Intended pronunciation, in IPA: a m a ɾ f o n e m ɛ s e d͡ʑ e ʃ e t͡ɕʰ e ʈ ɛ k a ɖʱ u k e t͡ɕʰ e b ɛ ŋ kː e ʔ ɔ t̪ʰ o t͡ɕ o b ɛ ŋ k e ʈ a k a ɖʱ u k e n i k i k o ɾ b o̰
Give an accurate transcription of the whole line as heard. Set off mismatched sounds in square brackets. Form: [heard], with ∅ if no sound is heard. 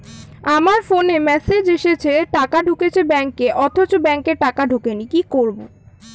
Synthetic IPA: a m a ɾ f o n e m ɛ s e d͡ʑ e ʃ e t͡ɕʰ e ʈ [a] k a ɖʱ u k e t͡ɕʰ e b ɛ ŋ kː e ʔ ɔ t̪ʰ o t͡ɕ o b ɛ ŋ k e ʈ a k a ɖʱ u k e n i k i k o ɾ b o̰

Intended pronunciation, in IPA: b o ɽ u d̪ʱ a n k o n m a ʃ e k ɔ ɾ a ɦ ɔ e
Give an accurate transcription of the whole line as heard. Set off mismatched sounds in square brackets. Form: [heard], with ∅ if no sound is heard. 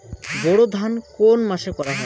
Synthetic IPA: b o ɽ [o] d̪ʱ a n k o n m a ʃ e k ɔ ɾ a ɦ ɔ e

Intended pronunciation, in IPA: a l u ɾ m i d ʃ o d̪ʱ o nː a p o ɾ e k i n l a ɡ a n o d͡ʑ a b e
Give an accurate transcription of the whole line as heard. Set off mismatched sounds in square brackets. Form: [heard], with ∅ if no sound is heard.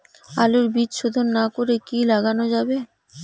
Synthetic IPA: a l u ɾ [b] i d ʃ o d̪ʱ o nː a [k] o ɾ e k i [∅] l a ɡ a n o d͡ʑ a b e

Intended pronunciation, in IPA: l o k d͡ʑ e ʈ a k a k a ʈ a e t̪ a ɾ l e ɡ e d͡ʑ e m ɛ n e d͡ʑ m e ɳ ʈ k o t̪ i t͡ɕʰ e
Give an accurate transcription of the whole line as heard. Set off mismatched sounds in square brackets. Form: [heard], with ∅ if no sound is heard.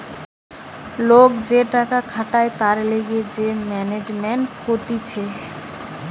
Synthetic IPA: l o k d͡ʑ e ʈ a k a [kʰ] a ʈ a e t̪ a ɾ l e ɡ e d͡ʑ e m ɛ n e d͡ʑ m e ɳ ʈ k o t̪ i t͡ɕʰ e

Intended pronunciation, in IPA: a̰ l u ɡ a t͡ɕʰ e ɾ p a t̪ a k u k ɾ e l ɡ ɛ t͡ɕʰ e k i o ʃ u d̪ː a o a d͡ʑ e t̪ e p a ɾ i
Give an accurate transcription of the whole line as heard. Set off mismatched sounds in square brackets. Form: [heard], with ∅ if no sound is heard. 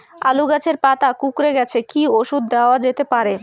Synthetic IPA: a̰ l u ɡ a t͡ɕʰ e ɾ p a t̪ a k u k ɾ e [∅] ɡ ɛ t͡ɕʰ e k i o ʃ u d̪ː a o a d͡ʑ e t̪ e p a ɾ [e]

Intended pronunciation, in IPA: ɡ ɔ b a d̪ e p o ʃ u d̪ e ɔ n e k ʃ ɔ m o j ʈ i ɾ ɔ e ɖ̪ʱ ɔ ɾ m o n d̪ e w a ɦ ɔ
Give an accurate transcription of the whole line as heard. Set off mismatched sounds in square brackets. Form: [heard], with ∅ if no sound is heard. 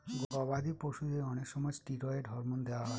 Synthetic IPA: ɡ ɔ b a d̪ [i] p o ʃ u d̪ e ɔ n e k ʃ ɔ m [ɔ] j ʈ i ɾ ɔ e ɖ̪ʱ ɔ ɾ m o n d̪ e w a ɦ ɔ

